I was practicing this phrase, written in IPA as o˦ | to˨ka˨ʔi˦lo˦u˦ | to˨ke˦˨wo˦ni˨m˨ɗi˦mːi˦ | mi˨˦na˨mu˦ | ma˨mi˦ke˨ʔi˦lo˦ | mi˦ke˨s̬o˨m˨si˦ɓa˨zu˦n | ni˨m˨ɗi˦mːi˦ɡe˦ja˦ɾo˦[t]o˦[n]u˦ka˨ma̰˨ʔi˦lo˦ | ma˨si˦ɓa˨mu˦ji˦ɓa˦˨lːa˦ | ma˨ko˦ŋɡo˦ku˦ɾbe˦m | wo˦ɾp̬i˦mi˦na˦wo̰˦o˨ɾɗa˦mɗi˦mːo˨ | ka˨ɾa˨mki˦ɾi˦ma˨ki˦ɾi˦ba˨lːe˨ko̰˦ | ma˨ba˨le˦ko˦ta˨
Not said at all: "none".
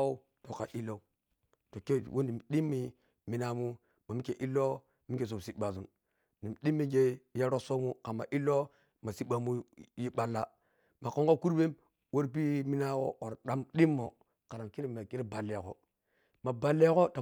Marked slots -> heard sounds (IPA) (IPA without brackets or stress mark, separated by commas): s, m